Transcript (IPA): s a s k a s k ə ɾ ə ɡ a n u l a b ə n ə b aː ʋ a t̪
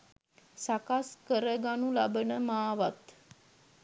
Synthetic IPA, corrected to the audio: s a k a s k ə ɾ ə ɡ a n u l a b ə n ə m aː ʋ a t̪